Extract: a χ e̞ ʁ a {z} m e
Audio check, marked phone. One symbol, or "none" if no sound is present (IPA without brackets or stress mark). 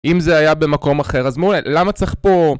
z